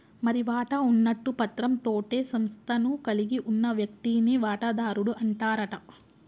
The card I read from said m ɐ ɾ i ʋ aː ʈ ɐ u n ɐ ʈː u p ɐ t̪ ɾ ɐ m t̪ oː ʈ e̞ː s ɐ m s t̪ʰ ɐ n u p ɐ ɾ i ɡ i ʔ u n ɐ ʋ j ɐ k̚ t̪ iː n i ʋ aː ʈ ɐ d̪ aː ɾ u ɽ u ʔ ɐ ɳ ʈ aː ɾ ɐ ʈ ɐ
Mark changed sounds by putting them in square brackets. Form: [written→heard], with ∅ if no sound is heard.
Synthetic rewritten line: m ɐ ɾ i ʋ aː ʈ ɐ u [n→nː] ɐ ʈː u p ɐ t̪ ɾ ɐ m t̪ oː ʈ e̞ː s ɐ m s t̪ʰ ɐ n u [p→k] ɐ [ɾ→l] i ɡ i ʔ u [n→nː] ɐ ʋ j ɐ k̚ t̪ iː n i ʋ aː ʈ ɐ d̪ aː ɾ u ɽ u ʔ ɐ ɳ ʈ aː ɾ ɐ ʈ ɐ